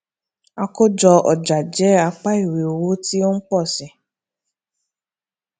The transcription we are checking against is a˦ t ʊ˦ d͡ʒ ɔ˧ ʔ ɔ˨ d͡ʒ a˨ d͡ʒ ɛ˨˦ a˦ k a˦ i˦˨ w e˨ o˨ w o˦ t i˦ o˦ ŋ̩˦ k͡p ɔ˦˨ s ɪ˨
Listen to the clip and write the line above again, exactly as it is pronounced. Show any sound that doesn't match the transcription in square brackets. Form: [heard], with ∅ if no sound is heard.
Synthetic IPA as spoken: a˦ [k] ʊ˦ d͡ʒ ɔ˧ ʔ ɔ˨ d͡ʒ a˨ d͡ʒ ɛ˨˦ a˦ [k͡p] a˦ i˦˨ w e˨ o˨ w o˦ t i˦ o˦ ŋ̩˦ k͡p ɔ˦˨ s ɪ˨